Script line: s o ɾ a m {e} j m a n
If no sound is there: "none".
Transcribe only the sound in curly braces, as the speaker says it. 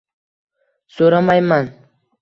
a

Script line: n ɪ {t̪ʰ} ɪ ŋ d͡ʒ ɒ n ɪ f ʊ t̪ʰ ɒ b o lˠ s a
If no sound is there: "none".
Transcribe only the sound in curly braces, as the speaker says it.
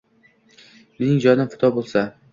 none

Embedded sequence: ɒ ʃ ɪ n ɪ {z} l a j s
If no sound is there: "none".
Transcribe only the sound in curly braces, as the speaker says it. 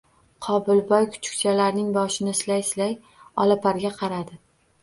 s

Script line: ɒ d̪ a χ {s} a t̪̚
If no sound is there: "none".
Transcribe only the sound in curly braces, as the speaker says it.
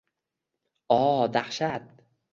ʃ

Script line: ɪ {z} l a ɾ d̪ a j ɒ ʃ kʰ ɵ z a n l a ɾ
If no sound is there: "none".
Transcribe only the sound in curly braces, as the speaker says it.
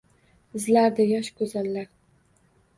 z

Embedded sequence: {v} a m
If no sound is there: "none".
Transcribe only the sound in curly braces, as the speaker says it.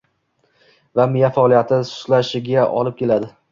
v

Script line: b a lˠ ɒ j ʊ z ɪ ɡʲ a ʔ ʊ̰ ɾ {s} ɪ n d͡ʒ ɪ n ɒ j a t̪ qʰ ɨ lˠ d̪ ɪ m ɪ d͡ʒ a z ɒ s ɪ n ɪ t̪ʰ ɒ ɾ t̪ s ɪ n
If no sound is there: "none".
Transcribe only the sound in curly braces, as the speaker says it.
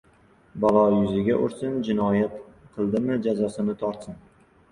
s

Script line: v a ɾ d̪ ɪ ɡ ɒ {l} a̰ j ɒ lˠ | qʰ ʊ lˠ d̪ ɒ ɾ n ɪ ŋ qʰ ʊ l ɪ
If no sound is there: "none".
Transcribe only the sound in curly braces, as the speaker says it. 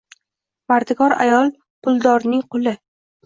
ɾ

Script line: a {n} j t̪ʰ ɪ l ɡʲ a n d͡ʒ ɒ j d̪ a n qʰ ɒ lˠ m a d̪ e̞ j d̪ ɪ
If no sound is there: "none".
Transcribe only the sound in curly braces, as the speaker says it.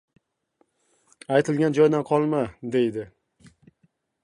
none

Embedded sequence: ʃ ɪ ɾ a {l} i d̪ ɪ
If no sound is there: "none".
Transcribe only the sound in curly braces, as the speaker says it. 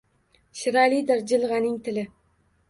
l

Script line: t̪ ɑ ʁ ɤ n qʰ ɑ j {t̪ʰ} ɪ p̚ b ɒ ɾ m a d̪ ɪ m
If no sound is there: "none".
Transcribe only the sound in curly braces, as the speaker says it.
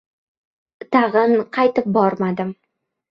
t̪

